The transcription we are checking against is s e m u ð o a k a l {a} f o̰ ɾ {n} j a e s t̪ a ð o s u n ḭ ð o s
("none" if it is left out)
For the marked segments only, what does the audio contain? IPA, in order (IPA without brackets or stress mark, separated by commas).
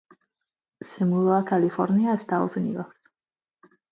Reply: i, n